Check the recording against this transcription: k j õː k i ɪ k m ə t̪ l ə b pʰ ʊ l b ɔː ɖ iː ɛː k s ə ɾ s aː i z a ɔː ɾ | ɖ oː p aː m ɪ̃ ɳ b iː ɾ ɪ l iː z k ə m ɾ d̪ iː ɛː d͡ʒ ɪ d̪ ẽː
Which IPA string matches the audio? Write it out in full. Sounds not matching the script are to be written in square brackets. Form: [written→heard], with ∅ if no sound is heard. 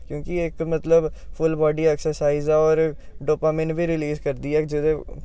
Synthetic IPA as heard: k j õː k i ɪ k m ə t̪ l ə b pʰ ʊ l b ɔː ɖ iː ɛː k s ə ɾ s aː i z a ɔː ɾ | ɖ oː p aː m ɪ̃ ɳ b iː ɾ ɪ l iː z k ə [m→∅] ɾ d̪ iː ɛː d͡ʒ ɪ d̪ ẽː